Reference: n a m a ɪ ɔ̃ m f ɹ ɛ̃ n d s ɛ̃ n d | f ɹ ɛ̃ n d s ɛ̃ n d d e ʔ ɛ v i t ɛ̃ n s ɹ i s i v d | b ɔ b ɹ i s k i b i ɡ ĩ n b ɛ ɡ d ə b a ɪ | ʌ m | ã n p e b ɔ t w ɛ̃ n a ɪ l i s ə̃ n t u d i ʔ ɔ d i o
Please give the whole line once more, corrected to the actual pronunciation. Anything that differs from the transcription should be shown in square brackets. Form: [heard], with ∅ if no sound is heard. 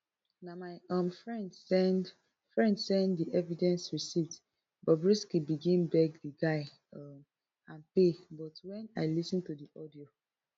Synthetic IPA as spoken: n a m a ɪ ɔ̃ m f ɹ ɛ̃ n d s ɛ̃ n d | f ɹ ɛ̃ n d s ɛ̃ n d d [i] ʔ ɛ v i [d] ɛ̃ n s ɹ i s i v d | b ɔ b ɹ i s k i b i ɡ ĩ n b ɛ ɡ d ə [ɡ] a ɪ | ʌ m | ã n p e b ɔ t w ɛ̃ n a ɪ l i s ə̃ n t u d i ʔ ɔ d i o